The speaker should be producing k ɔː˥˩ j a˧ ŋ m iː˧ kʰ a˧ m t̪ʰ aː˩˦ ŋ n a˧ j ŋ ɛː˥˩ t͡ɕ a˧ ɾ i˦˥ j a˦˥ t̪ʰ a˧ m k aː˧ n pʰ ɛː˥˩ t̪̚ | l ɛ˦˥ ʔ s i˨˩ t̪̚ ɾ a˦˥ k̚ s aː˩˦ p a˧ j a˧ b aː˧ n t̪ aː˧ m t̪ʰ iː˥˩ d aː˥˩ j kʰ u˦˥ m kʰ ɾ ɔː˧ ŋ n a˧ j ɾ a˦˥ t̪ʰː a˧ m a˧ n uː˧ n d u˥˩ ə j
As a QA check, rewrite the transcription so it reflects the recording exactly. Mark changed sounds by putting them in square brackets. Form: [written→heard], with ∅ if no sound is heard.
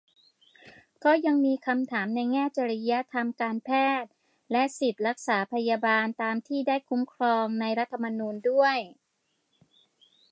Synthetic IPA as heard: k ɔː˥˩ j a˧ ŋ m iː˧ kʰ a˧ m t̪ʰ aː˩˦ [ŋ→m] n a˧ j ŋ ɛː˥˩ t͡ɕ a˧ ɾ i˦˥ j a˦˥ t̪ʰ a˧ m k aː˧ n pʰ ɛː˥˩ t̪̚ | l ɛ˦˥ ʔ s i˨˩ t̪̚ ɾ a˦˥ k̚ s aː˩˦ [p→pʰ] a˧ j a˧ b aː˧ n t̪ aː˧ m t̪ʰ iː˥˩ d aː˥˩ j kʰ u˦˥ m kʰ ɾ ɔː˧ ŋ n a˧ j ɾ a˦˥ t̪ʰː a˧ m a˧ n uː˧ n d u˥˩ ə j